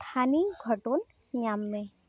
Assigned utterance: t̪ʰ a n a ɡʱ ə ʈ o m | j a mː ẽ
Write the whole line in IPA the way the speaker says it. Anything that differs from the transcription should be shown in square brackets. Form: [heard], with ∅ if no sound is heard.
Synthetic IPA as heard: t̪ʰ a n [i] ɡʱ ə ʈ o [n] | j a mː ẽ